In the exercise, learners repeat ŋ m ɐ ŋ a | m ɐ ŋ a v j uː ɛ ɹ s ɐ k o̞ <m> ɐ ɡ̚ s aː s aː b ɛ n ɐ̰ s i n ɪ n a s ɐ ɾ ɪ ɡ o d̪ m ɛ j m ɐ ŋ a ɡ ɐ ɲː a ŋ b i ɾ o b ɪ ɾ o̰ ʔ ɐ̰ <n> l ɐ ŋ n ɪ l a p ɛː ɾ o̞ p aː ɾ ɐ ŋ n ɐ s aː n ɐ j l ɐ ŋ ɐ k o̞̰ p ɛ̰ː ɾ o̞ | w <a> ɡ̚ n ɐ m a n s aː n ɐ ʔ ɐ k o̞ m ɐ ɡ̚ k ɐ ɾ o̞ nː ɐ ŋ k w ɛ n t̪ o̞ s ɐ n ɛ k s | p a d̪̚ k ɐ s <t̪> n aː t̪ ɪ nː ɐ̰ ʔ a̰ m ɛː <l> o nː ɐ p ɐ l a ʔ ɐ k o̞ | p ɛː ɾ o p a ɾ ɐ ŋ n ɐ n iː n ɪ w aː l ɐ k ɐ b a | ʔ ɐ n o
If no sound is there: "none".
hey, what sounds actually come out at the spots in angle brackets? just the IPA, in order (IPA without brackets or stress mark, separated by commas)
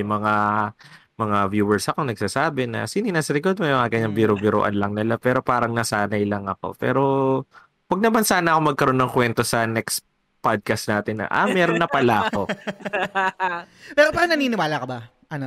n, n, ɐ, t̪, ɾ